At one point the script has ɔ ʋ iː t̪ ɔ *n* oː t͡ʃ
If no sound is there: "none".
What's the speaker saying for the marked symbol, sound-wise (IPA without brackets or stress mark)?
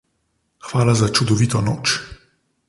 n